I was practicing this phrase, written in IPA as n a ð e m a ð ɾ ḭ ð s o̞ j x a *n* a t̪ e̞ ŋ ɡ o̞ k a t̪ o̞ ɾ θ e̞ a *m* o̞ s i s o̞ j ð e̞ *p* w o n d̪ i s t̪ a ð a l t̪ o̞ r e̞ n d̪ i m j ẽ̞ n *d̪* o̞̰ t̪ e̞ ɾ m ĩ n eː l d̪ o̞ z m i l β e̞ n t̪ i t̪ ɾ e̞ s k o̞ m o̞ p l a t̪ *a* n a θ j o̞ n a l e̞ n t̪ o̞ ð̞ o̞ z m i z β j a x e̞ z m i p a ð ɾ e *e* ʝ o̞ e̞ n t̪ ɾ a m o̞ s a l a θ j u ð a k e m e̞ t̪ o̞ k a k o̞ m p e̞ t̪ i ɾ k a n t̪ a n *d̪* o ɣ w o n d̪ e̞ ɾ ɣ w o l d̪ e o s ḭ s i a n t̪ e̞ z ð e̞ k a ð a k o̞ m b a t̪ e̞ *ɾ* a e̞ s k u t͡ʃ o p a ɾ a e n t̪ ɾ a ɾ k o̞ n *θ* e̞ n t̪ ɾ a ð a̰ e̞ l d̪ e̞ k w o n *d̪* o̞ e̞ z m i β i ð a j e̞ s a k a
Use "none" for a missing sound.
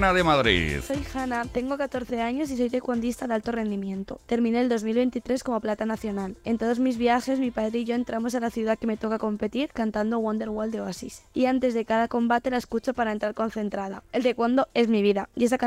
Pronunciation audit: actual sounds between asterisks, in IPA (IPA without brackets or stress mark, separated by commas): n, ɲ, k, t̪, a, i, d̪, l, θ, d̪